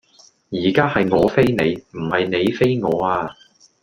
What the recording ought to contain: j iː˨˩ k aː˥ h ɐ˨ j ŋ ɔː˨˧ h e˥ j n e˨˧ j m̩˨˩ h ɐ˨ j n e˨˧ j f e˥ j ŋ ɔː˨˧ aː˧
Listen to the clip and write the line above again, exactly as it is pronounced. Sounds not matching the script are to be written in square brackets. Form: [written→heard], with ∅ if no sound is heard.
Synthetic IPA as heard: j iː˨˩ k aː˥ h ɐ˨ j ŋ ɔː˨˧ [h→f] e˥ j n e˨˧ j m̩˨˩ h ɐ˨ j n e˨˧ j f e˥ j ŋ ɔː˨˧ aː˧